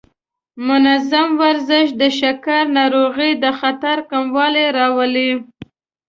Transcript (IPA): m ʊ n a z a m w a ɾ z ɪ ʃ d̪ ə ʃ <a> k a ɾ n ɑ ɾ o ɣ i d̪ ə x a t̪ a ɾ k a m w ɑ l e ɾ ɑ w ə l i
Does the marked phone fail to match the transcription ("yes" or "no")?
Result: no